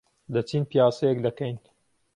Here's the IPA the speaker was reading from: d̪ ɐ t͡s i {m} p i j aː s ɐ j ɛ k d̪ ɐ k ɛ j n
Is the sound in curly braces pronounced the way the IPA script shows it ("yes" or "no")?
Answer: no